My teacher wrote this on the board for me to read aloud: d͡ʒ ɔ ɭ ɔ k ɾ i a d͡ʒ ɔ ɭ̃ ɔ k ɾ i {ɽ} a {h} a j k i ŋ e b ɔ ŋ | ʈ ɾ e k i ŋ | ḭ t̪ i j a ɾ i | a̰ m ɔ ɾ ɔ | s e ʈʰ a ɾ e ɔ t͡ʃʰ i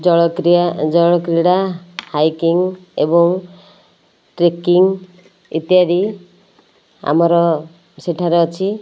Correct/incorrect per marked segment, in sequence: correct, correct

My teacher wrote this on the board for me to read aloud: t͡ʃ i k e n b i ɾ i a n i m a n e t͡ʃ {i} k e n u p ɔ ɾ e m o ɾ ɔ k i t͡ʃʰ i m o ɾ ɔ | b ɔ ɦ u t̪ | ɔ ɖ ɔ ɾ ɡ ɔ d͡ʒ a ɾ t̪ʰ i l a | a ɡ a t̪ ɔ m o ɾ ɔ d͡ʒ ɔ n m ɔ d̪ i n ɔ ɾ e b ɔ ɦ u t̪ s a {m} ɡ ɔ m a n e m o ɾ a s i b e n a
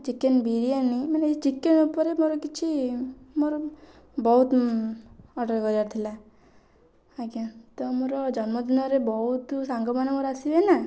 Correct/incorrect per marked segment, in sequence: correct, incorrect: ŋ

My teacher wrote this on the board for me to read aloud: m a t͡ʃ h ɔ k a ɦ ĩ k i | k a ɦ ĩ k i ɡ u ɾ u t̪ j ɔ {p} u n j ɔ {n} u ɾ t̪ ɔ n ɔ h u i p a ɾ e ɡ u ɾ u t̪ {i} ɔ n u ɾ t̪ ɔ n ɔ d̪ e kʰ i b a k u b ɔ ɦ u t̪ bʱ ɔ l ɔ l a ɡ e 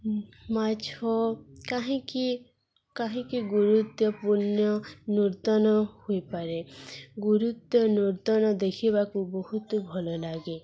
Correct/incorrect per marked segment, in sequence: correct, correct, incorrect: j

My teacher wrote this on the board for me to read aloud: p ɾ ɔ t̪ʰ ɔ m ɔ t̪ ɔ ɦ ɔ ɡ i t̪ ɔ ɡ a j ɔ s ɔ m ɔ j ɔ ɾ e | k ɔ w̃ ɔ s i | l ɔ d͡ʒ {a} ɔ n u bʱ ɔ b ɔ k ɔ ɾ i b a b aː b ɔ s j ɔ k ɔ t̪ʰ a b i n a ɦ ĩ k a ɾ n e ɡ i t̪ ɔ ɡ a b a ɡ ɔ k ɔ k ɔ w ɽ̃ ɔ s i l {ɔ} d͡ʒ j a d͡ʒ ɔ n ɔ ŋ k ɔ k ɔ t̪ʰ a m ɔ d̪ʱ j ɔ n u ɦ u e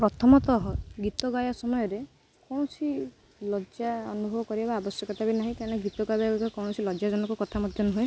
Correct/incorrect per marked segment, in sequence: correct, correct

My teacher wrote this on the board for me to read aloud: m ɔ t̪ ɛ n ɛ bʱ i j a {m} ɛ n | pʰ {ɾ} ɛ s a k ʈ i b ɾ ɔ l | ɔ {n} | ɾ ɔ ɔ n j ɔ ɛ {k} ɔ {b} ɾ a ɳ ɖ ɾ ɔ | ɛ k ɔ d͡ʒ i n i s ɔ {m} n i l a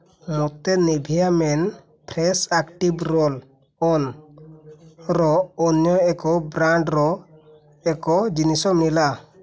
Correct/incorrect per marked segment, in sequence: correct, correct, correct, correct, correct, correct

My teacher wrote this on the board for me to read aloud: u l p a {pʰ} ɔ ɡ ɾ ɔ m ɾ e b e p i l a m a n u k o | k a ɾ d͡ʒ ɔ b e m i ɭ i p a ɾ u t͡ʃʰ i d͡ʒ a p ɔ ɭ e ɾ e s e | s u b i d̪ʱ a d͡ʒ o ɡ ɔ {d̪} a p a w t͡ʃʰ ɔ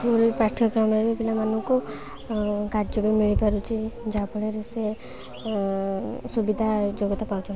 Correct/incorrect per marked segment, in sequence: incorrect: ʈʰ, incorrect: t̪

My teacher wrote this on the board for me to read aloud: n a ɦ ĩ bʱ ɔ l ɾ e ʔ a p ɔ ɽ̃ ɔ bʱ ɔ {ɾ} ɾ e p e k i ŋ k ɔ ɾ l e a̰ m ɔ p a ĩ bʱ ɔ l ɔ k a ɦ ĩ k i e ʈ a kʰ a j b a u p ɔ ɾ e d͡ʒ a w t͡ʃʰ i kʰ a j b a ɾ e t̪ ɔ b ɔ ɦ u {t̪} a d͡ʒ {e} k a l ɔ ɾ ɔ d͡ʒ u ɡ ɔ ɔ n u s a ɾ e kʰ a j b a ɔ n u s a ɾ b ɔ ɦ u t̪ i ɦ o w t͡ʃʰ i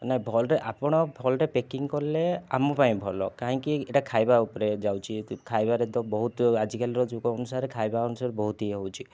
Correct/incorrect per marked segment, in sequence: incorrect: l, correct, incorrect: i

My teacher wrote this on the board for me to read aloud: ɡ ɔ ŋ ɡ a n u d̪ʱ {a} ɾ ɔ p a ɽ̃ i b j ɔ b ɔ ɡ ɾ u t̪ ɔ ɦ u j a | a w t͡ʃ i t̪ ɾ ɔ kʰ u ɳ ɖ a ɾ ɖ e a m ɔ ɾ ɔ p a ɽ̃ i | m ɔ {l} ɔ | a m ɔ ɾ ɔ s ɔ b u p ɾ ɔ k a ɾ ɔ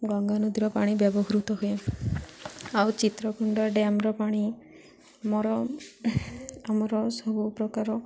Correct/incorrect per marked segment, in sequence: incorrect: i, incorrect: ɾ

